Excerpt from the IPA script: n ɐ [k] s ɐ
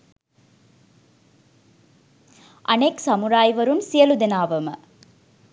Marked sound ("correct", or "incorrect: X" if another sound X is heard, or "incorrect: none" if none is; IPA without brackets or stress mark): correct